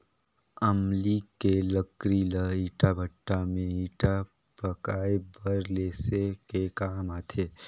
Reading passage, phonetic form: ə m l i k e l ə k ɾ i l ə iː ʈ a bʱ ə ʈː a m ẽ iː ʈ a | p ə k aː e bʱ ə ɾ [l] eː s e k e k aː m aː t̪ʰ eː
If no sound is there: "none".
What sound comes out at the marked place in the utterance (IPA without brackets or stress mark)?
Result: l